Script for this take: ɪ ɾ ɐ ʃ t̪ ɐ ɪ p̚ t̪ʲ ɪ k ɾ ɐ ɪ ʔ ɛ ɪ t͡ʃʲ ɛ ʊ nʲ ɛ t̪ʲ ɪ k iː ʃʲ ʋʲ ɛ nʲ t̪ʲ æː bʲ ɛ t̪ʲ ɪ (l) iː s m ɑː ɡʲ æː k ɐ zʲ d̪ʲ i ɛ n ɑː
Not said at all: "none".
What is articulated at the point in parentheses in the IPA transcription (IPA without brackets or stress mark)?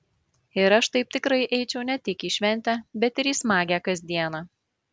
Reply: ɾ